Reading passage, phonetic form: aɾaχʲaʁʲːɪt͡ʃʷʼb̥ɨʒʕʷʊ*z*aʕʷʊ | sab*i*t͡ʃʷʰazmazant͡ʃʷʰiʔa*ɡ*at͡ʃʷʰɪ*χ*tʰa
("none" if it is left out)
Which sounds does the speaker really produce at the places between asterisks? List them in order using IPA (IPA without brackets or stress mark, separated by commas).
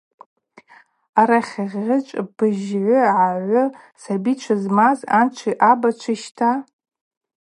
ʕ, i, b, ʃ